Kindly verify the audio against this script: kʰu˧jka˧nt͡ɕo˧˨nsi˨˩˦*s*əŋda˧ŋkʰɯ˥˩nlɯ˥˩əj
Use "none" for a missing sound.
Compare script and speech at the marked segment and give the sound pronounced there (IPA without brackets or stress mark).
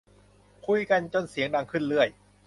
none